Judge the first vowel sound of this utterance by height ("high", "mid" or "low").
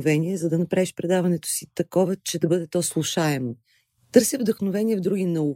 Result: mid